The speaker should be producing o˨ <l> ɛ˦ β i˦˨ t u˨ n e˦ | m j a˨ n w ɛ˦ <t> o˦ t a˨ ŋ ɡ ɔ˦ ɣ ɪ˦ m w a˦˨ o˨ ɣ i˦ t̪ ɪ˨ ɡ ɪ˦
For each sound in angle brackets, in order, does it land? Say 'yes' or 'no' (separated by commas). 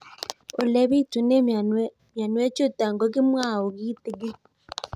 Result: yes, no